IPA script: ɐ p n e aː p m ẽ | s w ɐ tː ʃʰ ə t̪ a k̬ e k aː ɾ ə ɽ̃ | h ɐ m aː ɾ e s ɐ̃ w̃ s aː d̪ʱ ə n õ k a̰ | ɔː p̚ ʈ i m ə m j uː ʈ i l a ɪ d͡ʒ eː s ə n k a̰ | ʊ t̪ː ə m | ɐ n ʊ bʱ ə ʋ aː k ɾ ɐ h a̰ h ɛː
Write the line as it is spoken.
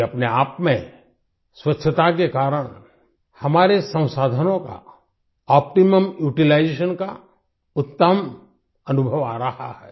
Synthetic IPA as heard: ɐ p n e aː p m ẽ | s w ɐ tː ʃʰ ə t̪ a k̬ e k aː ɾ ə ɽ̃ | h ɐ m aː ɾ e s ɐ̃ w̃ s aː d̪ʱ ə n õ k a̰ | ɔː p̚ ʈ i m ə m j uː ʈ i l a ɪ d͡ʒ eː ʃ ə n k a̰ | ʊ t̪ː ə m | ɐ n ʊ bʱ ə ʋ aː ɾ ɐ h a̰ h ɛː